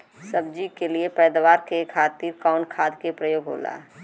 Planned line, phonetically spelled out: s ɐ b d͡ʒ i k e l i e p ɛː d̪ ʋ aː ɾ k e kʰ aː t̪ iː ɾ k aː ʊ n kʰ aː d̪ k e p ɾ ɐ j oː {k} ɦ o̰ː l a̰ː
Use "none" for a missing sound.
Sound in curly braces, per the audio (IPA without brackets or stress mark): ɡ